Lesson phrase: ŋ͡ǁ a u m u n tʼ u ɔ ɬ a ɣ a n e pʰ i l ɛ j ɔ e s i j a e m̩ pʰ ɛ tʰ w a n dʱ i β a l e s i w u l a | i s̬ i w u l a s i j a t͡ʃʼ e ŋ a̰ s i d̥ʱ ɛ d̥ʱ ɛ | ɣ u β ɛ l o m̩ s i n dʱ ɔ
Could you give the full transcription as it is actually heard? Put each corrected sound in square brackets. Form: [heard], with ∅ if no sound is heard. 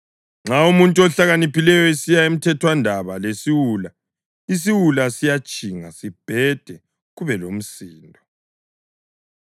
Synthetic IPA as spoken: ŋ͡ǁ a u m u n tʼ u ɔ ɬ a ɣ a n [i] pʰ i l ɛ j ɔ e s i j a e m̩ [tʰ] ɛ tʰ w a n dʱ [a] β a l e s i w u l a | i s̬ i w u l a s i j a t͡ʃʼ [i] ŋ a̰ s i [b̥ʱ] ɛ d̥ʱ ɛ | ɣ u β ɛ l o m̩ s [iː] n dʱ ɔ